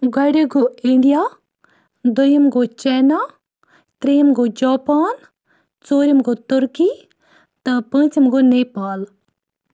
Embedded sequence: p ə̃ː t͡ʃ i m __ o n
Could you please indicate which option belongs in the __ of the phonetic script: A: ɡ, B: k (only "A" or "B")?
A